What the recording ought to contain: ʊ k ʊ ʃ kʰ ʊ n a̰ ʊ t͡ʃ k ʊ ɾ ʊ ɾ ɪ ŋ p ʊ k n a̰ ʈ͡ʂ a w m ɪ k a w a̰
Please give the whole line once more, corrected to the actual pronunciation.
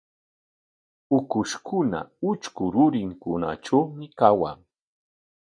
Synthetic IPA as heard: ʊ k ʊ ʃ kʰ ʊ n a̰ ʊ t͡ʃ k ʊ ɾ ʊ ɾ ɪ ŋ k ʊ n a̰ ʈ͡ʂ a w m ɪ k a w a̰